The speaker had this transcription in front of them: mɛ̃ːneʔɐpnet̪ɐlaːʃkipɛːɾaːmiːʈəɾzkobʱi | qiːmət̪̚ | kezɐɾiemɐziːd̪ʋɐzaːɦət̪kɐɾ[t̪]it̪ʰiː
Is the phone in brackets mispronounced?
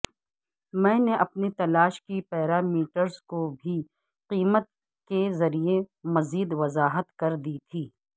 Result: yes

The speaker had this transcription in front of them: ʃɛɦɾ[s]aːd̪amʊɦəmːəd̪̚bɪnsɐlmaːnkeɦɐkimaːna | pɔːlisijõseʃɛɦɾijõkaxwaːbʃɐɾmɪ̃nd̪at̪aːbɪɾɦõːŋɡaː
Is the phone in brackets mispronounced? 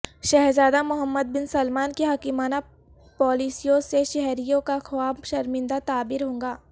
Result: yes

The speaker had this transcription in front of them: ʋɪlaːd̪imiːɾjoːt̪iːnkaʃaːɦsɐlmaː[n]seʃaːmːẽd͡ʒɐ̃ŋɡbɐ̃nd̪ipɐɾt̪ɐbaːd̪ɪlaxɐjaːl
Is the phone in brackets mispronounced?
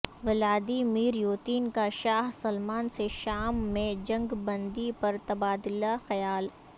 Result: no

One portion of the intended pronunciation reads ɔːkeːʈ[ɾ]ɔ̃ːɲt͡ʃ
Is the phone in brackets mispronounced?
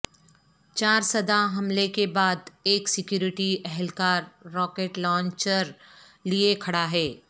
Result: yes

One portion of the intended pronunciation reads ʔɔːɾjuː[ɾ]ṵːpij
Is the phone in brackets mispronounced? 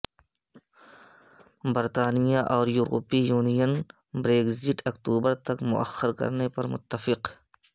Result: no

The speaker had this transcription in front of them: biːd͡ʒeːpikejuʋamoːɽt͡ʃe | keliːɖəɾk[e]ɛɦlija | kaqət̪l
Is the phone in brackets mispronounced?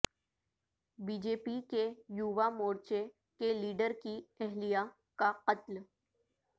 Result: yes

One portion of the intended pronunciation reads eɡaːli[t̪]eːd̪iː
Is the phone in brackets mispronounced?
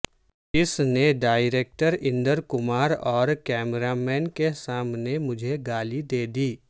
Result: yes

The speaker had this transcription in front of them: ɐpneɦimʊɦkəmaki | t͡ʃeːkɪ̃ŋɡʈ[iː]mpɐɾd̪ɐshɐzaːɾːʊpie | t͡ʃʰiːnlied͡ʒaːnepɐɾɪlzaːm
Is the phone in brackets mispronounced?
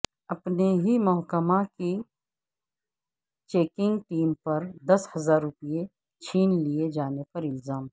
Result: no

